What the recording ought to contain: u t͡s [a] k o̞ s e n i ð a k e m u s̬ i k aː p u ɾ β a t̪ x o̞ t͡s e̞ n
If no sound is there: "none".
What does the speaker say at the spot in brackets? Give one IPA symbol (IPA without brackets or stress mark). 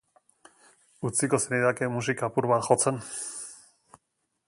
i